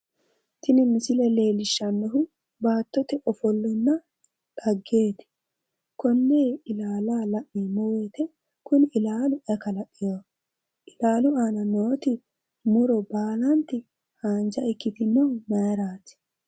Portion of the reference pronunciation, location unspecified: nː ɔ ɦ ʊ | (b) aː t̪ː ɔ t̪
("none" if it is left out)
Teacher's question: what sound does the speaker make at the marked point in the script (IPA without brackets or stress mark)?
b